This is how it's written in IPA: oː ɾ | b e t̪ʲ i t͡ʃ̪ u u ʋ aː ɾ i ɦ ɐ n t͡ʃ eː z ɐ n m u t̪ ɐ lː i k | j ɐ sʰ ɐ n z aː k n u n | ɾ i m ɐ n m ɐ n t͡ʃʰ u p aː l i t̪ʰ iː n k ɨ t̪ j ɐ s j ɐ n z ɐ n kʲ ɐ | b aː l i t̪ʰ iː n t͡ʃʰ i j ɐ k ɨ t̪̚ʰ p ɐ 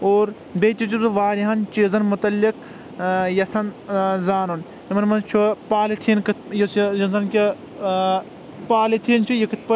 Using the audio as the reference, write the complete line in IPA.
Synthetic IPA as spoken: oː ɾ | b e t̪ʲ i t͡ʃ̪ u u ʋ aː ɾ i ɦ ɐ n t͡ʃ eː z ɐ n m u t̪ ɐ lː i k | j ɐ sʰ ɐ n z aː n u n | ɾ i m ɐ n m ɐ n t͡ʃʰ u p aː l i t̪ʰ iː n k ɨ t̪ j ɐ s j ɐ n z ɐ n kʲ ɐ | p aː l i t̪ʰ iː n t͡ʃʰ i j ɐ k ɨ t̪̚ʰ p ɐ